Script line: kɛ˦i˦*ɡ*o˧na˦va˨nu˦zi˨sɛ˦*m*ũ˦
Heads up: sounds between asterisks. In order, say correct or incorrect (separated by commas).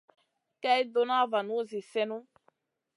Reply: incorrect, incorrect